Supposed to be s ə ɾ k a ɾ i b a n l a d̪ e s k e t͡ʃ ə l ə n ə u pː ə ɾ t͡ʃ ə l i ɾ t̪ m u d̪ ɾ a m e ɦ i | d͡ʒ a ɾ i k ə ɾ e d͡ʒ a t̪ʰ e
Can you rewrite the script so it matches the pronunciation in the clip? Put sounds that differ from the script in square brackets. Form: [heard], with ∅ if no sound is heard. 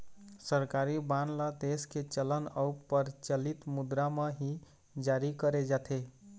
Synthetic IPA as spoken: s ə ɾ k a ɾ i b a n l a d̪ e s k e t͡ʃ ə l ə n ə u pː ə ɾ t͡ʃ ə l i [∅] t̪ m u d̪ ɾ a m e ɦ i | d͡ʒ a ɾ i k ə ɾ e d͡ʒ a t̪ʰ e